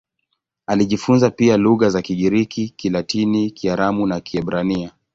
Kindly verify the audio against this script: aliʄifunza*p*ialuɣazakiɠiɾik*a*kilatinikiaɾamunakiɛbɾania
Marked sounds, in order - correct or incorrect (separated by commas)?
correct, incorrect